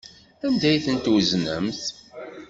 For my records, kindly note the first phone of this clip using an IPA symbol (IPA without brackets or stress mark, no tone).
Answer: æ